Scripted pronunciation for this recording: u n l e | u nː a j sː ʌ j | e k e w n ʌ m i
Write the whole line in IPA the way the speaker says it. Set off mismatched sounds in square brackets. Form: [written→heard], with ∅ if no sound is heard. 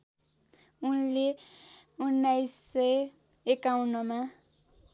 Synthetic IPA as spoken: u n l e | u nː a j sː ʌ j | e k [e→a] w n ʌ m [i→a]